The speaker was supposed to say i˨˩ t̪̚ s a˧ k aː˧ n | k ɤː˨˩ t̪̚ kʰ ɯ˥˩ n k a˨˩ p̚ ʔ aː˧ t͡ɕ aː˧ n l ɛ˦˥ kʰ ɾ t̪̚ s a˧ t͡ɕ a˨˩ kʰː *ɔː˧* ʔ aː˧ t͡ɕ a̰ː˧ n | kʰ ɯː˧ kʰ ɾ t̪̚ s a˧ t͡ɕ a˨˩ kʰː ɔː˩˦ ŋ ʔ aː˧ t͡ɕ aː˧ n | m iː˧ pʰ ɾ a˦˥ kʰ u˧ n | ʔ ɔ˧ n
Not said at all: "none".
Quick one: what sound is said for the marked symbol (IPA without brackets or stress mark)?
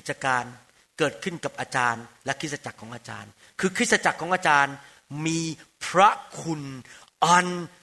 ɔː˩˦